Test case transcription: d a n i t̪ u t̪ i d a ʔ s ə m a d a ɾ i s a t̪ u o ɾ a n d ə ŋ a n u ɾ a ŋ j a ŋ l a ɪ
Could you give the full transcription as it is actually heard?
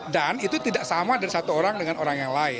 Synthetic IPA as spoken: d a n i t̪ u t̪ i d a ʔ s a m a d a ɾ i s a t̪ u o ɾ a ŋ d ə ŋ a n o ɾ a ŋ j a ŋ l a ɪ